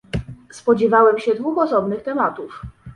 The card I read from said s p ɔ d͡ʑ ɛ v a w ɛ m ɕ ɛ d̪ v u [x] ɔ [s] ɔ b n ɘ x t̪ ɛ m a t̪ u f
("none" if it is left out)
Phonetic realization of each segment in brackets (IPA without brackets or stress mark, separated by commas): x, s